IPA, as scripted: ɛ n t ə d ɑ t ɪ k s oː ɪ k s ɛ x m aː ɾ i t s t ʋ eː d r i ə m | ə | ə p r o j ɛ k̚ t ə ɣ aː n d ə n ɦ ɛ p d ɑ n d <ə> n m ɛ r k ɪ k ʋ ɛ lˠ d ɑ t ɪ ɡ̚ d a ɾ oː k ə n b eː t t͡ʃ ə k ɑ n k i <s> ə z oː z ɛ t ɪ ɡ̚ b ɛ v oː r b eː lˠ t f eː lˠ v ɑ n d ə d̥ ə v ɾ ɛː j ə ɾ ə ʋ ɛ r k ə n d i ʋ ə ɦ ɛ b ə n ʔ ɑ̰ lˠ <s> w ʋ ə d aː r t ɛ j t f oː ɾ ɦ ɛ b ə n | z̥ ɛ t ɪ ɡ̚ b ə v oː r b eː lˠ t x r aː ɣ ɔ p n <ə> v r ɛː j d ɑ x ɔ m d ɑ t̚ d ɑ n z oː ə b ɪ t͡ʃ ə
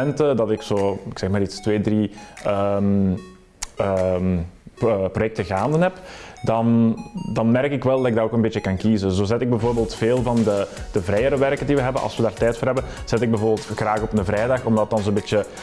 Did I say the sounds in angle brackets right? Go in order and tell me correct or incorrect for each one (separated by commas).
incorrect, incorrect, correct, correct